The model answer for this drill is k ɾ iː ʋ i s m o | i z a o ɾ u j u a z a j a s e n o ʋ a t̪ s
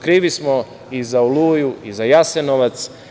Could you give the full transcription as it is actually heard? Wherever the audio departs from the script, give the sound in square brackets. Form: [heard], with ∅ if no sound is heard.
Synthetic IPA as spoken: k ɾ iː ʋ i s m o | i z a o [l] u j u [i] z a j a s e n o ʋ a t̪ s

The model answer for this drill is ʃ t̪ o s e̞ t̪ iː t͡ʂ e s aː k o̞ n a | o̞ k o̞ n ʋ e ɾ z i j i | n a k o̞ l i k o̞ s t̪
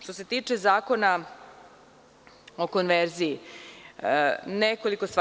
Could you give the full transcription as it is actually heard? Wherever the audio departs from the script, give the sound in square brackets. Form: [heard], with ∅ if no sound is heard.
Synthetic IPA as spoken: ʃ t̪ o s e̞ t̪ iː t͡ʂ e [z] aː k o̞ n a | o̞ k o̞ n ʋ e ɾ z i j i | n [e] k o̞ l i k o̞ s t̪

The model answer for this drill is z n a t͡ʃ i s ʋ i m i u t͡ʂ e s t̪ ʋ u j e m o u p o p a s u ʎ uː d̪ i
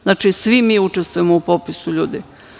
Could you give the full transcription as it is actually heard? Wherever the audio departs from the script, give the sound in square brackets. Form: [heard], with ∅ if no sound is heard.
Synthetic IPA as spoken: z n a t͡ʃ i s ʋ i m i u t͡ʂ e s t̪ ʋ u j e m o u p o p [i] s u ʎ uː d̪ i

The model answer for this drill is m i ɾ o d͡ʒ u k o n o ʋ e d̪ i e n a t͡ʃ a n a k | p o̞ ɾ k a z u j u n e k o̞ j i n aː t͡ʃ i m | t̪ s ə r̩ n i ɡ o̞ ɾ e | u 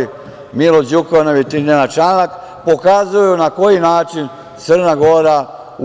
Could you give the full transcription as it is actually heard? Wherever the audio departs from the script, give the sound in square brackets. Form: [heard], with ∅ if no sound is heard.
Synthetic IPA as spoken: m i [l] o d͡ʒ u k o n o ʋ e [t̪] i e n a t͡ʃ a n a k | p o̞ [∅] k a z u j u n [a] k o̞ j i n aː t͡ʃ i [n] | t̪ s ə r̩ n [a] ɡ o̞ ɾ [a] | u

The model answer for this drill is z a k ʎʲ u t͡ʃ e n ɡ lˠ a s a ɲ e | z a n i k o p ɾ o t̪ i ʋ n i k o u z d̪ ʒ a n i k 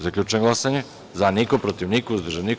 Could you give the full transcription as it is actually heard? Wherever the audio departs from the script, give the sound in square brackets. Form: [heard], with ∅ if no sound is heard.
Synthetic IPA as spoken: z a k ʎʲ u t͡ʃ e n ɡ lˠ a s a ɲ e | z a n i k o p ɾ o t̪ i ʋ n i k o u z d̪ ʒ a n i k

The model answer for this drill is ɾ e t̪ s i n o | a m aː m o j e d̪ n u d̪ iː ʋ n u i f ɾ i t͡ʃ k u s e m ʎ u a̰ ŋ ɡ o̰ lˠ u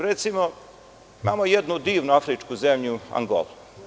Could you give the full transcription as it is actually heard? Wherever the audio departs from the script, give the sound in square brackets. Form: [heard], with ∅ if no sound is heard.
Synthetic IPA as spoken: ɾ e t̪ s i [m] o | [i] m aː m o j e d̪ n u d̪ iː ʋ n u [a] f ɾ i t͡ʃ k u [z] e m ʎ u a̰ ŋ ɡ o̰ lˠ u

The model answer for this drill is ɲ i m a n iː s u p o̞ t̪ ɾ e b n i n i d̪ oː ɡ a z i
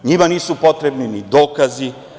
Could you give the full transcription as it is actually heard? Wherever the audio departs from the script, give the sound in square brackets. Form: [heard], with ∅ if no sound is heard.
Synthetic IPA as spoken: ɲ i m a n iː s u p o̞ t̪ ɾ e b n i n i d̪ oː [k] a z i

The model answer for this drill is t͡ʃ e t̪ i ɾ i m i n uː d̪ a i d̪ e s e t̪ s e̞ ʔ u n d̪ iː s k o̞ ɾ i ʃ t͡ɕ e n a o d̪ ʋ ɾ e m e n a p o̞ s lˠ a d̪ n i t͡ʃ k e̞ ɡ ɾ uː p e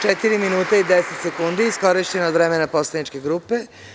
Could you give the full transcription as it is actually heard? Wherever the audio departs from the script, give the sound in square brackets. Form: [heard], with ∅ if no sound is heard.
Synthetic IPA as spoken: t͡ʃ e t̪ i ɾ i m i n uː [t̪] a i d̪ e s e t̪ s e̞ [k] u n d̪ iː s k o̞ ɾ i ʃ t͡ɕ e n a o d̪ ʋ ɾ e m e n a p o̞ s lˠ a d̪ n i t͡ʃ k e̞ ɡ ɾ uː p e

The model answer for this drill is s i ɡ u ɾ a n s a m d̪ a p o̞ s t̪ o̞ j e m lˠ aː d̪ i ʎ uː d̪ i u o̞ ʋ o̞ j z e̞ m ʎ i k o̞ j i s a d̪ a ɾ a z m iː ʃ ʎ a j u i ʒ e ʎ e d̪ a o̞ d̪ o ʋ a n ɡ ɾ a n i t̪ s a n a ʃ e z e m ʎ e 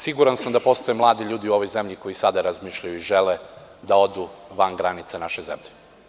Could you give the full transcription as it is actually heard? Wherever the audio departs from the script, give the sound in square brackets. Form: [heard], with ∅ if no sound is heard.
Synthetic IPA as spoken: s i ɡ u ɾ a n s a m d̪ a p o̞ s t̪ o̞ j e m lˠ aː d̪ i ʎ uː d̪ i u o̞ ʋ o̞ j z e̞ m ʎ i k o̞ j i s a d̪ a ɾ a z m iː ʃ ʎ a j u i ʒ e [l] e d̪ a o̞ d̪ [u] ʋ a n ɡ ɾ a n i t̪ s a n a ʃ e z e m ʎ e

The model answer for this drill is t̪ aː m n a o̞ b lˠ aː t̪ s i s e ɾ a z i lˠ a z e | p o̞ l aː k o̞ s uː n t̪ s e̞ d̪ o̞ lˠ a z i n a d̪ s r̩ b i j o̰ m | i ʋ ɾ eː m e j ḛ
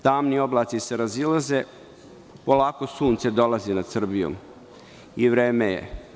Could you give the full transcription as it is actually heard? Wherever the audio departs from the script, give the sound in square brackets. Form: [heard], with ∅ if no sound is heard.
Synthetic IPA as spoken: t̪ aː m n [i] o̞ b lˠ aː t̪ s i s e ɾ a z i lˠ a z e | p o̞ l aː k o̞ s uː n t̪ s e̞ d̪ o̞ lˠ a z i n a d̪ s r̩ b i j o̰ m | i ʋ ɾ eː m e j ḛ

